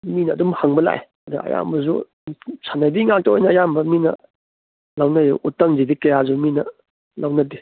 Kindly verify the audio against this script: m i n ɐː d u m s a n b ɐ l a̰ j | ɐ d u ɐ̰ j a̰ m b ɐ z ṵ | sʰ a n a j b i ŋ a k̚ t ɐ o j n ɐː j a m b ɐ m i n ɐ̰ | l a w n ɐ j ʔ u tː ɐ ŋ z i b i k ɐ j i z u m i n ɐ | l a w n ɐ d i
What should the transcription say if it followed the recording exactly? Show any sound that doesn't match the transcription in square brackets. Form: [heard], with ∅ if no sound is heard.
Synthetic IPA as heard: m i n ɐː d u m [h] a [ŋ] b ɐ l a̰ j | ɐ d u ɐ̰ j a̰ m b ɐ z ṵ | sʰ a n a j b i ŋ a k̚ t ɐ o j n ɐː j a m b ɐ m i n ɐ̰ | l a w n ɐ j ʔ u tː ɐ ŋ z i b i k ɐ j [a] z u m i n ɐ | l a w n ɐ d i